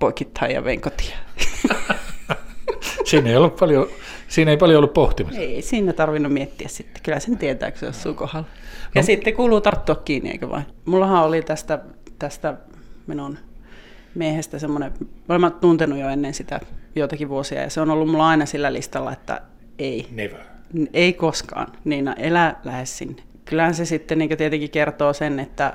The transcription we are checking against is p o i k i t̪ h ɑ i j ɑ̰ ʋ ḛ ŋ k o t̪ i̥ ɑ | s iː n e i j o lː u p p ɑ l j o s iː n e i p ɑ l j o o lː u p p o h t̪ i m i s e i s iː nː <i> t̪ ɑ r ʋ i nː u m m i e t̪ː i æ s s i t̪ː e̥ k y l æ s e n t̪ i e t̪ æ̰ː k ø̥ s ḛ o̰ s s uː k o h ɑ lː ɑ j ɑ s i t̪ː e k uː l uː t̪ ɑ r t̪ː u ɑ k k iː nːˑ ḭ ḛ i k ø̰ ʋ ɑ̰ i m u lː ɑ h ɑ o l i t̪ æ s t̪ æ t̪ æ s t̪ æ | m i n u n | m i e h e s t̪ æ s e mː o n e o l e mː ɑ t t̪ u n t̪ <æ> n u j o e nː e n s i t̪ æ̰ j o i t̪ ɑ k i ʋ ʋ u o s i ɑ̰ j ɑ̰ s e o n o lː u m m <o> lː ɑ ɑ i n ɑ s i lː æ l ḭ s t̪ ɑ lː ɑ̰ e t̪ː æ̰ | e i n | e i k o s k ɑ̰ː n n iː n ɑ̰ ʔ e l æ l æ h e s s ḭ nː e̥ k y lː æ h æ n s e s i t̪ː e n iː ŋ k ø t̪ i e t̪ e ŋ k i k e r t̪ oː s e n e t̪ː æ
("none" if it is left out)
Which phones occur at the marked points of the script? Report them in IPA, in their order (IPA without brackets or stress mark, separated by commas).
æ, e, u